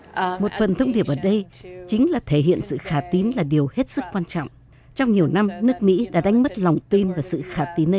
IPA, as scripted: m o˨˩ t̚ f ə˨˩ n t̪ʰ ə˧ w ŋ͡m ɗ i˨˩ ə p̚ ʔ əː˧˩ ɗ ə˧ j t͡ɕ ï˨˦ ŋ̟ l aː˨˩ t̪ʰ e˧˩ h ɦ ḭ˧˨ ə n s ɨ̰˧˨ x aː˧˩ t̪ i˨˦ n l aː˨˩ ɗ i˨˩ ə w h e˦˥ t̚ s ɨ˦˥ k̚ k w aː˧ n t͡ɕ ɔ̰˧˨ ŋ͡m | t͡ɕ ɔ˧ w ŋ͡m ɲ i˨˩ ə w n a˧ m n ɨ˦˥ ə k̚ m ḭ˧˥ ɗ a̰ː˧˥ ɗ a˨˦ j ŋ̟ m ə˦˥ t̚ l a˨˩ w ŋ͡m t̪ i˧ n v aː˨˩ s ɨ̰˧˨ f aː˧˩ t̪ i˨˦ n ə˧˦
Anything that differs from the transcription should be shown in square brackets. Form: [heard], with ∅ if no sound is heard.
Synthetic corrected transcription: m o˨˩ t̚ f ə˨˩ n t̪ʰ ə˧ w ŋ͡m ɗ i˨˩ ə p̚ ʔ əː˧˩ ɗ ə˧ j t͡ɕ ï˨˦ ŋ̟ l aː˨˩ t̪ʰ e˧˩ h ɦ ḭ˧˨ ə n s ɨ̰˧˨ x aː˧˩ t̪ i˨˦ n l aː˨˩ ɗ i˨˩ ə w h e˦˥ t̚ s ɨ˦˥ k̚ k w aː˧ n t͡ɕ ɔ̰˧˨ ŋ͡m | t͡ɕ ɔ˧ w ŋ͡m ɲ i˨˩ ə w n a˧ m n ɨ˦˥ ə k̚ m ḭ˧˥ ɗ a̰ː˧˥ ɗ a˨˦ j ŋ̟ m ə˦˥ t̚ l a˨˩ w ŋ͡m t̪ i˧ n v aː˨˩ s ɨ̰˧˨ [x] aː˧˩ t̪ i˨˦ n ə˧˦